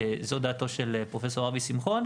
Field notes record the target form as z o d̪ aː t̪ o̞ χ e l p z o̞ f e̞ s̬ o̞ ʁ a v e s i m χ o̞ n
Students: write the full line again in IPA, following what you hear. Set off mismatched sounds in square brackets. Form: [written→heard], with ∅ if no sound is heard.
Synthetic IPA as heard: z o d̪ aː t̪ o̞ [χ→ʃ] e l p [z→ʁ] o̞ f e̞ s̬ o̞ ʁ a v [e→i] s i m χ o̞ n